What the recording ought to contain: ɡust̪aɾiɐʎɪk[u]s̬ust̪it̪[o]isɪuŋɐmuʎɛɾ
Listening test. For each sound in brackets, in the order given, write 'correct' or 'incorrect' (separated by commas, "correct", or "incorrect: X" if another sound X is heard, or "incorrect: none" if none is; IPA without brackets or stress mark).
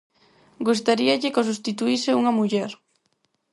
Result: incorrect: o, incorrect: u